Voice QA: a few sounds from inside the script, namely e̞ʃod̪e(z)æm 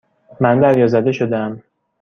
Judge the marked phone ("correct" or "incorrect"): incorrect